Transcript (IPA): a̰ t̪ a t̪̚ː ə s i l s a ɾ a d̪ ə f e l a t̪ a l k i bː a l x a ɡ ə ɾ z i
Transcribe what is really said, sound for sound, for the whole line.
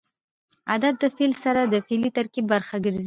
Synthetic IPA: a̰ d̪ a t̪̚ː ə f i l s a ɾ a d̪ ə f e l i t̪ a ɾ k i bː a ɾ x a ɡ ə ɾ z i